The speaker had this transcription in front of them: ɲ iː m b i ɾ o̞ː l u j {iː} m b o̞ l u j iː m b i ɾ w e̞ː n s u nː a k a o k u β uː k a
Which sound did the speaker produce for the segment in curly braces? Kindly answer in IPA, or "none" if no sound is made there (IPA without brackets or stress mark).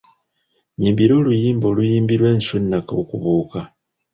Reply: iː